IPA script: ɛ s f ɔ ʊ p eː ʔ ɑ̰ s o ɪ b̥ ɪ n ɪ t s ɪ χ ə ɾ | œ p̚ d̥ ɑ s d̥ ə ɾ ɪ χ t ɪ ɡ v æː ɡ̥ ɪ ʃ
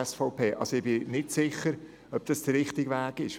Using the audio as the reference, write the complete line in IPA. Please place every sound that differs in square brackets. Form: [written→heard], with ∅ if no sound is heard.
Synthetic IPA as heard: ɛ s f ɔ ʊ p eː ʔ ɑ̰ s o ɪ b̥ ɪ n ɪ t s ɪ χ ə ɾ | œ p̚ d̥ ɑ s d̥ ə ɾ ɪ χ t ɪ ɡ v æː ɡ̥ ɪ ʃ

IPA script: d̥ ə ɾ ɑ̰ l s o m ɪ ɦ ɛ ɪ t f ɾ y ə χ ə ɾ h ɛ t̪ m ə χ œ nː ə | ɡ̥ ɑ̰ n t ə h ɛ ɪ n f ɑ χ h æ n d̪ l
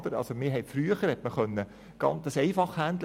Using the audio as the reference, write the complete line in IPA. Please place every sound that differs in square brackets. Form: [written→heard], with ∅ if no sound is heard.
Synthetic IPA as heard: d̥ ə ɾ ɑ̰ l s o m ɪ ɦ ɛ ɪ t f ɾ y ə χ ə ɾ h ɛ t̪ m ə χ œ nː ə | ɡ̥ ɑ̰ n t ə [h→s] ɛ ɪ [n→∅] f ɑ χ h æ n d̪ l

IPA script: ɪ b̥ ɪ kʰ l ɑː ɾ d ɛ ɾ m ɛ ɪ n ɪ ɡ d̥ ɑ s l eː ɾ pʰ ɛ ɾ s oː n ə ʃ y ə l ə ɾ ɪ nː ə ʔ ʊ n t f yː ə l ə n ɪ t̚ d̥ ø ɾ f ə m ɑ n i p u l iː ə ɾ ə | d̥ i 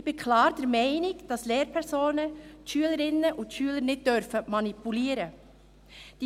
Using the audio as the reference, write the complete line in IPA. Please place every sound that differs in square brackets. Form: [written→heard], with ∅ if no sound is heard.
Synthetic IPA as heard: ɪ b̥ ɪ kʰ l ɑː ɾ d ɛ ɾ m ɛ ɪ n ɪ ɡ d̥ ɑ s l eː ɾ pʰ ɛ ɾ s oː n ə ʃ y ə l ə ɾ ɪ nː ə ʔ ʊ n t [f→ʃ] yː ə l ə n ɪ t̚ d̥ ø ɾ f ə m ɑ n i p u l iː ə ɾ ə | d̥ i

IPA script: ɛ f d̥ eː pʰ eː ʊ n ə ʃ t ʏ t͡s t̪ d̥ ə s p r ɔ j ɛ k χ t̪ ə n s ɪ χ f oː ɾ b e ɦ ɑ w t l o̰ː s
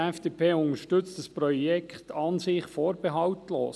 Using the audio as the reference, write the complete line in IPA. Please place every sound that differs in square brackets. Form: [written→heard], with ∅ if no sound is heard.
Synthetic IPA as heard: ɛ f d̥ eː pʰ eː ʊ n ə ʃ t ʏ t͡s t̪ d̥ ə s p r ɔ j ɛ k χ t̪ [ə→ɑ] n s ɪ χ f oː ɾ b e ɦ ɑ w t l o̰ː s

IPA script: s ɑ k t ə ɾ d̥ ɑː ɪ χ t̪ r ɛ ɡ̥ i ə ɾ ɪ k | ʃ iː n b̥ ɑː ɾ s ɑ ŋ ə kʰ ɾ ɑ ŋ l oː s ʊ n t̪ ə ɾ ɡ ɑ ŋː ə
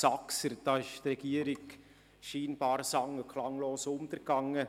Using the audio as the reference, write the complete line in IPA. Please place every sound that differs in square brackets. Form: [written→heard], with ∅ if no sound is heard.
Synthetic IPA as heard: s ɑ k [t→s] ə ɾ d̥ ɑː ɪ [χ→ʃ] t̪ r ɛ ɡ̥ i ə ɾ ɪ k | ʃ iː n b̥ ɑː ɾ s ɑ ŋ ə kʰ [ɾ→l] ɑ ŋ l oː s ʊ n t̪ ə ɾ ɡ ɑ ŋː ə

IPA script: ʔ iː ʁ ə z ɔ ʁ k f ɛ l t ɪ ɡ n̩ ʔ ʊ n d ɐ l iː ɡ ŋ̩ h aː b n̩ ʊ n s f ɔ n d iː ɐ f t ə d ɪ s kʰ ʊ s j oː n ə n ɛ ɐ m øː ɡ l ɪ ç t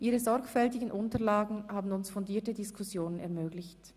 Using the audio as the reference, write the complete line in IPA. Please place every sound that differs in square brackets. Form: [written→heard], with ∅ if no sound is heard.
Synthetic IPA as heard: ʔ iː ʁ ə z ɔ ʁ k f ɛ l t ɪ ɡ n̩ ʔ ʊ n [d→t] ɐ l [iː→aː] ɡ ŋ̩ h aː b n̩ ʊ n s f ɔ n d iː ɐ [f→∅] t ə d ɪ s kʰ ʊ s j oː n ə n ɛ ɐ m øː ɡ l ɪ ç t

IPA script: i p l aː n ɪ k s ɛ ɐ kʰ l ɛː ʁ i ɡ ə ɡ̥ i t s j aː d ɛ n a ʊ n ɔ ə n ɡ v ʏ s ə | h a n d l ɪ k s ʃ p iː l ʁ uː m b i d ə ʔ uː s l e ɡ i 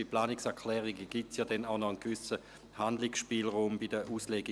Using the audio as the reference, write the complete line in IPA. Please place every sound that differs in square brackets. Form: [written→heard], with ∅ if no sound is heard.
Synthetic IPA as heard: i p l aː n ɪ k s ɛ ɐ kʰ l ɛː ʁ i ɡ ə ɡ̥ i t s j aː d ɛ n a ʊ n ɔ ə n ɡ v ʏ s ə | h a n d l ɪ k s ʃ p iː l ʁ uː m b i d ə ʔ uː s l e ɡ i

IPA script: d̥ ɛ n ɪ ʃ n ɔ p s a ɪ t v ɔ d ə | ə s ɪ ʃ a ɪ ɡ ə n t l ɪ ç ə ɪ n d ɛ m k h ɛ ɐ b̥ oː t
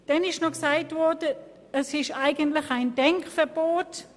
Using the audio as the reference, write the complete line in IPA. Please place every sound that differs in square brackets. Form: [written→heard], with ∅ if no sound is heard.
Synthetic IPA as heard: d̥ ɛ n ɪ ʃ n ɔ [p→k] s a ɪ t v ɔ d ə | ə s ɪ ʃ a ɪ ɡ ə n t l ɪ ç [ə→a] ɪ n d ɛ [m→ŋ] k [h→f] ɛ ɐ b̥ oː t

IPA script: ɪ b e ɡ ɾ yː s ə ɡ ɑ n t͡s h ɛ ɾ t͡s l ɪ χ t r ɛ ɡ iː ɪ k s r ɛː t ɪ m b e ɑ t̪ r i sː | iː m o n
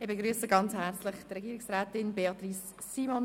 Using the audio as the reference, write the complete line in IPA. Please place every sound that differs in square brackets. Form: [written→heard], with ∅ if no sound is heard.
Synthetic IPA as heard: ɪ b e ɡ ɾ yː s ə ɡ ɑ n t͡s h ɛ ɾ t͡s l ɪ χ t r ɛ ɡ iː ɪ k s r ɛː t ɪ [m→n] b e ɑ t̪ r i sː | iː m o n

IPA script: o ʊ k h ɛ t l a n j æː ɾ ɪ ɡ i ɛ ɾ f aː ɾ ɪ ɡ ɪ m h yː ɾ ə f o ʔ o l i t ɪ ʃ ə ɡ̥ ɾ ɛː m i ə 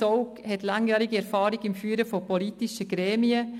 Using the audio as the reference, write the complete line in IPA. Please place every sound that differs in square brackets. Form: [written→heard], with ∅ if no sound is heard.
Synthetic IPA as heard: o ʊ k h ɛ t l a [n→ŋ] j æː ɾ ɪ ɡ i ɛ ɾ f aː ɾ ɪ ɡ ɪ m [h→f] yː ɾ ə f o [ʔ→p] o l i t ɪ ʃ ə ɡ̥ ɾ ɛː m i ə

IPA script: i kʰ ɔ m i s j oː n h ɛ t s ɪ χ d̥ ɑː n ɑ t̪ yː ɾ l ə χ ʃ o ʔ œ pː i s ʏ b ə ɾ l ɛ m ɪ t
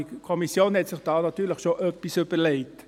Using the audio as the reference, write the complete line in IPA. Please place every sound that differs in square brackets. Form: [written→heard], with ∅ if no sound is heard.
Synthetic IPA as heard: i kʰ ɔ m i s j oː n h ɛ t s ɪ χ d̥ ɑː n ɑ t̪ yː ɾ l ə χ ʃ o ʔ œ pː i s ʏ b ə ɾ l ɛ [m→∅] ɪ t

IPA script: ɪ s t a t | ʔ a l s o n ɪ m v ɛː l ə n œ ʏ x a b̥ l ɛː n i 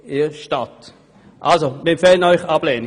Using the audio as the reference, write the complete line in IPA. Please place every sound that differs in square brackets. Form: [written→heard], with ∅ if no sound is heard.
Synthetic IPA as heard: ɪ [s→ʃ] t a t | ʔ a l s o [n→m] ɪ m [v→f] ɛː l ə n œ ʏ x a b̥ l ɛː n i

